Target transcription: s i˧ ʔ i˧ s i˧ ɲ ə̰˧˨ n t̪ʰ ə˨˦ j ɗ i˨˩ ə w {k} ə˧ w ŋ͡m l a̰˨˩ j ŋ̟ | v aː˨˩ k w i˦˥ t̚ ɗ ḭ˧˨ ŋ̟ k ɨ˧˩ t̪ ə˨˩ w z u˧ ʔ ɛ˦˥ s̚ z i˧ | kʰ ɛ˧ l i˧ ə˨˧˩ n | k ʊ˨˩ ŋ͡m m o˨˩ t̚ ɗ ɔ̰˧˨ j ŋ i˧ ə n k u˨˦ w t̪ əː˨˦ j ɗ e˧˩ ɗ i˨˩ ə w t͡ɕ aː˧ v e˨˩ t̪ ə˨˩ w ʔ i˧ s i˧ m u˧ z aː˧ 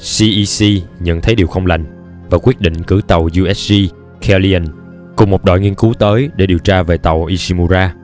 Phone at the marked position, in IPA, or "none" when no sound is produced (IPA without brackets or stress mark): x